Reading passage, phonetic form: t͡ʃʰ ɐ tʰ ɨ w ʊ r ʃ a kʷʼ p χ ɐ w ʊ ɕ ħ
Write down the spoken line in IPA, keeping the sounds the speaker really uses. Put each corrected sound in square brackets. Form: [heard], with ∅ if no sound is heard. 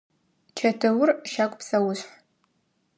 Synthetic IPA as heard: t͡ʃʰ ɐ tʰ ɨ w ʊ r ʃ a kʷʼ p [s] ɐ w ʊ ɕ ħ